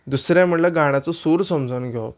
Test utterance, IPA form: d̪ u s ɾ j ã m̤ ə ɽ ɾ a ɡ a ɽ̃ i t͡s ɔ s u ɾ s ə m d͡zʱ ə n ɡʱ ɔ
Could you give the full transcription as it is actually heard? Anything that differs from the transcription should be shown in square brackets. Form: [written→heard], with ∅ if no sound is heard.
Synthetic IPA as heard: d̪ u s ɾ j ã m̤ ə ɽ [ɾ→l] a ɡ a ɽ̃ [i→a] t͡s ɔ s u ɾ s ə m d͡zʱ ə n ɡʱ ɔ